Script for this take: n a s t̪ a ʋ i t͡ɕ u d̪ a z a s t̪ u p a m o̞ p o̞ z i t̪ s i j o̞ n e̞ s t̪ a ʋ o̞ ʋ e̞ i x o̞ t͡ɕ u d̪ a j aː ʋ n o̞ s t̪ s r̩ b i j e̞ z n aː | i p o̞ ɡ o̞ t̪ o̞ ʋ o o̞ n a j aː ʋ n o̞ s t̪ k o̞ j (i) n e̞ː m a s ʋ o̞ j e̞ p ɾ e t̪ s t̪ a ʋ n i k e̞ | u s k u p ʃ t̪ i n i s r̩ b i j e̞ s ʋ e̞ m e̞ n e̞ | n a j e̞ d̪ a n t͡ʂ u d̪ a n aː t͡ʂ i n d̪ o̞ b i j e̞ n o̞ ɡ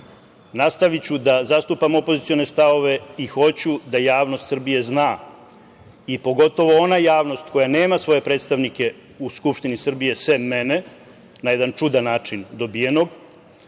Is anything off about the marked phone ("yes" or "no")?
yes